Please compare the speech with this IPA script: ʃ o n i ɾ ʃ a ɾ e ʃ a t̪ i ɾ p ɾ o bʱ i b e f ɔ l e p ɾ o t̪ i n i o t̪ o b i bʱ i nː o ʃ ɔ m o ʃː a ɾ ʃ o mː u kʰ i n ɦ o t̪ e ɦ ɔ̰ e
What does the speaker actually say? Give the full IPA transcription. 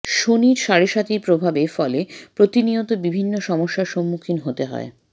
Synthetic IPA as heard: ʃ o n i ɾ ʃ a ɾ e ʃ a t̪ i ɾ p ɾ o bʱ a b e f ɔ l e p ɾ o t̪ i n i o t̪ o b i bʱ i nː o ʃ ɔ m o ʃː a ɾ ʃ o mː u kʰ i n ɦ o t̪ e ɦ ɔ̰ e